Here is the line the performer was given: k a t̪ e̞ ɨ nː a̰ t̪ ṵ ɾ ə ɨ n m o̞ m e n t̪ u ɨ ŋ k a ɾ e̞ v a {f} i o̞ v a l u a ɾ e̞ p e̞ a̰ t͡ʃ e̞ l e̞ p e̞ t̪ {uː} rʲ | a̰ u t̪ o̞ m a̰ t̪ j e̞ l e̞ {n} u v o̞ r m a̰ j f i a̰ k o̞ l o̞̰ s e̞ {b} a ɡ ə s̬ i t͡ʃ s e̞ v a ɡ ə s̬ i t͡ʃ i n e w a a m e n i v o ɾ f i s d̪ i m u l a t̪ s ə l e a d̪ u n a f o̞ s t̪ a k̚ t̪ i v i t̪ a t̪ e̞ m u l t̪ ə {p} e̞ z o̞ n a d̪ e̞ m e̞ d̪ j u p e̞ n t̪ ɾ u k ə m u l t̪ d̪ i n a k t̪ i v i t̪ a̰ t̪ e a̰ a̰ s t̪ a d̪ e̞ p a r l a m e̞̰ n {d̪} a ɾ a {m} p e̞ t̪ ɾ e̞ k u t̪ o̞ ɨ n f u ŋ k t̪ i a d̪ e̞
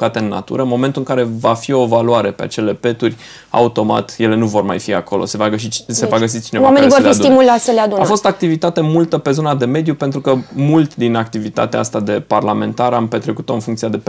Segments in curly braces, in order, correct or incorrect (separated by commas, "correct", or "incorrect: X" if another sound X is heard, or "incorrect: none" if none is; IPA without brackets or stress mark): correct, incorrect: u, correct, incorrect: v, correct, incorrect: t̪, correct